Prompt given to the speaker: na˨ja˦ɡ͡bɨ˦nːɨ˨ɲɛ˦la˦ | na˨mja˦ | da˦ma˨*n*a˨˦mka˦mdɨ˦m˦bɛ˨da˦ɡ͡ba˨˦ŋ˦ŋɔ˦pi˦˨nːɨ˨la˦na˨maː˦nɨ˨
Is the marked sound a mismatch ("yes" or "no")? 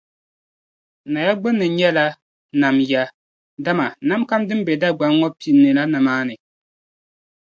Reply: no